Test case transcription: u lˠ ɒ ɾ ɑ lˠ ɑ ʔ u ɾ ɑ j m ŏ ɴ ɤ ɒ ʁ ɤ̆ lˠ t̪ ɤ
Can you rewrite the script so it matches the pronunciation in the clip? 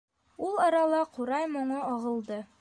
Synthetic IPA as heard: u lˠ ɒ ɾ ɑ lˠ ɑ q u ɾ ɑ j m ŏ ɴ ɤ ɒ ʁ ɤ̆ lˠ d̪ ɤ